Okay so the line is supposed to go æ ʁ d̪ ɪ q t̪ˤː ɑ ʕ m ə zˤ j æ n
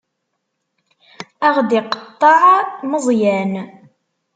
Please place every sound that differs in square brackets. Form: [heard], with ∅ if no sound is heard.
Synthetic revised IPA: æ ʁ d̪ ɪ q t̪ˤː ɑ ʕ m ə zˤ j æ n